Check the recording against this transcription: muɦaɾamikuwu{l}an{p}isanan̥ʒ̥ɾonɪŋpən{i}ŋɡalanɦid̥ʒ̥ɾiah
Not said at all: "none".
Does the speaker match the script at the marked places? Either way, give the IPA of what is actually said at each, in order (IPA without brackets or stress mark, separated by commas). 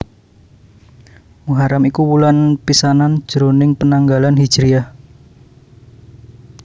l, p, a